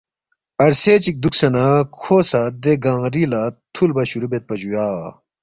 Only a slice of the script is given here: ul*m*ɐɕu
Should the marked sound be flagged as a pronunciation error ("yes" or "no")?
yes